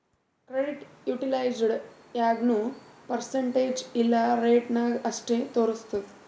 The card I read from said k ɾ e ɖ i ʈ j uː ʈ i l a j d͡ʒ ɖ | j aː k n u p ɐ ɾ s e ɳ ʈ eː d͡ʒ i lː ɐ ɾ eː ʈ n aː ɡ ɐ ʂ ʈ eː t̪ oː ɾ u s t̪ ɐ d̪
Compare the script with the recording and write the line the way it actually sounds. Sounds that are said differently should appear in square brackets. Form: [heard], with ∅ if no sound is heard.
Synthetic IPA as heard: k ɾ e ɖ i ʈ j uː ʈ i l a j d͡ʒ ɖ | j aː [ɡ] n u p ɐ ɾ s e ɳ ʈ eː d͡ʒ i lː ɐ ɾ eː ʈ n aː ɡ ɐ ʂ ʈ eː t̪ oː ɾ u s t̪ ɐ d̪